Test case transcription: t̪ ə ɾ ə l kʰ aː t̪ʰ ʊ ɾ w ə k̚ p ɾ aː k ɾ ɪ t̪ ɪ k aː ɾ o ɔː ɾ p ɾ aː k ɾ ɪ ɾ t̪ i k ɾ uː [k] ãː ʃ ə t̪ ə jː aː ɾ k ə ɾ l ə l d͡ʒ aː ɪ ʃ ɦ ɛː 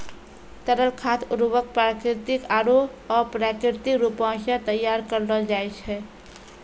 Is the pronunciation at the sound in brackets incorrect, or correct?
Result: incorrect: p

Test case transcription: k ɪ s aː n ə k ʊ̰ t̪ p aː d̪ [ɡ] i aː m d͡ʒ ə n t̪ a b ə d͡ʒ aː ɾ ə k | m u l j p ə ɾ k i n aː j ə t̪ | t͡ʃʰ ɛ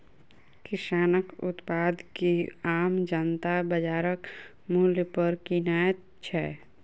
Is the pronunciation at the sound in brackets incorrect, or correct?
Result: incorrect: k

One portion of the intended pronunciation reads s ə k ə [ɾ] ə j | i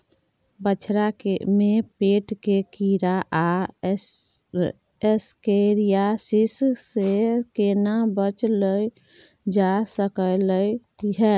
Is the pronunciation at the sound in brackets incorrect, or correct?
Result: incorrect: l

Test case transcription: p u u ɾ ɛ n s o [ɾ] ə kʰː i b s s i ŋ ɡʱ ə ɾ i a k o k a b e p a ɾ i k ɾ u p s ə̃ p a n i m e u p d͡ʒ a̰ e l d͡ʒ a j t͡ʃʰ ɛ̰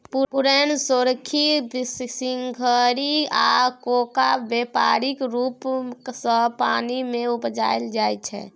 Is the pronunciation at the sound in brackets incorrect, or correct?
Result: correct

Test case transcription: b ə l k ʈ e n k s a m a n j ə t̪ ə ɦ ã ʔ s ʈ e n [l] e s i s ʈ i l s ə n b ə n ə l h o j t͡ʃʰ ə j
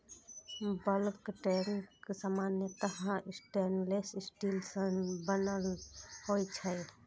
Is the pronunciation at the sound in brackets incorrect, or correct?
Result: correct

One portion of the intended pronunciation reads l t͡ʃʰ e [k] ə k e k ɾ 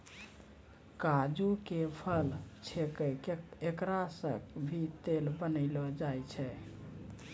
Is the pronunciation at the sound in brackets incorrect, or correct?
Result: correct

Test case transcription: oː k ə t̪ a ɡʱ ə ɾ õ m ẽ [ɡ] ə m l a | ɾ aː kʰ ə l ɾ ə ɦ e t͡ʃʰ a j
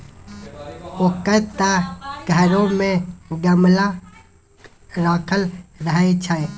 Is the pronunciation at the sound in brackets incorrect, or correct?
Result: correct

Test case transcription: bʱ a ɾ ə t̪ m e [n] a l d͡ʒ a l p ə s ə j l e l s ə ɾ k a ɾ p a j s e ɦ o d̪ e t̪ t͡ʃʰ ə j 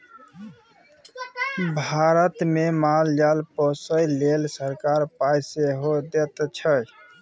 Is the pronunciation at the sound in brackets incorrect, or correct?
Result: incorrect: m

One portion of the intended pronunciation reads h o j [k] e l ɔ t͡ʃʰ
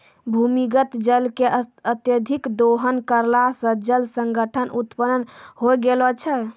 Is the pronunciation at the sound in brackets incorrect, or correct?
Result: incorrect: ɡ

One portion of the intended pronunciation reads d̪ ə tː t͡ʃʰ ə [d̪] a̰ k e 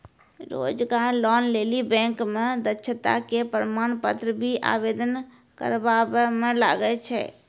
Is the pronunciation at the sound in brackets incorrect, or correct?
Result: incorrect: t̪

